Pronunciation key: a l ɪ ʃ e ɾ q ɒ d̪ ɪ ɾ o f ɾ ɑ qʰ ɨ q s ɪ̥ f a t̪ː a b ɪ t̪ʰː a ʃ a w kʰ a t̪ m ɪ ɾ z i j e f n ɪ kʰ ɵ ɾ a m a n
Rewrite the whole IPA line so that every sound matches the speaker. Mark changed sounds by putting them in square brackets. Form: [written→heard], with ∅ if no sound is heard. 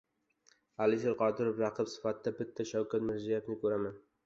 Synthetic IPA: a l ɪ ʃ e ɾ q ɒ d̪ ɪ ɾ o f ɾ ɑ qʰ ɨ [q→p] s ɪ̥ f a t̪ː a b ɪ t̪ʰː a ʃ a w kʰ a t̪ m ɪ ɾ z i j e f n ɪ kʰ ɵ ɾ a m a n

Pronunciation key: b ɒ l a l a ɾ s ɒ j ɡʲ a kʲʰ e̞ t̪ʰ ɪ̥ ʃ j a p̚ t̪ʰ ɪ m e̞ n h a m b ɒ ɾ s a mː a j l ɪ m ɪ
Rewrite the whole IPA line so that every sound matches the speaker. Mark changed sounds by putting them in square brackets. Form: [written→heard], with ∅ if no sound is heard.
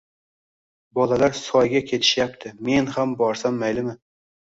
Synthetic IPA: b ɒ l a l a ɾ s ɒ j ɡʲ a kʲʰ e̞ t̪ʰ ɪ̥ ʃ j a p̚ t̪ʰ ɪ m e̞ n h a m b ɒ ɾ s a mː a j l ɪ m ɪ

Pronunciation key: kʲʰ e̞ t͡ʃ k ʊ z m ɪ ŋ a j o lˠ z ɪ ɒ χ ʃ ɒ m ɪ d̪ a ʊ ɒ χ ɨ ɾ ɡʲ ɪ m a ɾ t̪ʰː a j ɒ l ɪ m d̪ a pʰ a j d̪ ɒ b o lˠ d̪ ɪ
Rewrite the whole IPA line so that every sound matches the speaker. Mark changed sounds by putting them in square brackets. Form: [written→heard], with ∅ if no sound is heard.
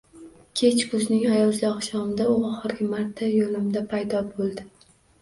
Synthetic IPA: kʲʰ e̞ t͡ʃ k ʊ z [m→n] ɪ ŋ a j [o→ɒ] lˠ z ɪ ɒ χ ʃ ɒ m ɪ d̪ a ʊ ɒ χ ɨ ɾ ɡʲ ɪ m a ɾ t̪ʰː a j [ɒ→o] l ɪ m d̪ a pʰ a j d̪ ɒ b o lˠ d̪ ɪ

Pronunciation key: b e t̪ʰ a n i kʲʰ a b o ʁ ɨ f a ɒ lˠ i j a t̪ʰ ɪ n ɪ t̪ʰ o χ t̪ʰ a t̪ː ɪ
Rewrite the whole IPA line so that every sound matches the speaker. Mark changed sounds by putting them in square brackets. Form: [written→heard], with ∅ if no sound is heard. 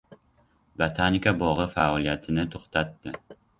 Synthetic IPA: b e t̪ʰ a n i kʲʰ a b [o→ɒ] ʁ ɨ f a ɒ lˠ i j a t̪ʰ ɪ n ɪ t̪ʰ o χ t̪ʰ a t̪ː ɪ

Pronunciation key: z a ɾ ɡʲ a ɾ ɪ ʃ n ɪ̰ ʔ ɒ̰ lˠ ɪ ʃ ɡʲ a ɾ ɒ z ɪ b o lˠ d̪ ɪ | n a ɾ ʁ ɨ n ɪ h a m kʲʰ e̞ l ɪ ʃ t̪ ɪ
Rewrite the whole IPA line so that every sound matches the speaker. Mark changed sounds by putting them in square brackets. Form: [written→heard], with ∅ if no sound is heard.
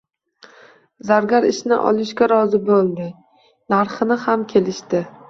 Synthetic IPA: z a ɾ ɡʲ a ɾ ɪ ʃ n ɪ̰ ʔ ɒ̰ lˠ ɪ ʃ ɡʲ a ɾ ɒ z ɪ b o lˠ d̪ ɪ | n a ɾ [ʁ→χ] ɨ n ɪ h a m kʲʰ e̞ l ɪ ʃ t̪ ɪ

